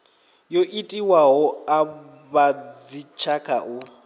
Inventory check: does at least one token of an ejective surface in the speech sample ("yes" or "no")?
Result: yes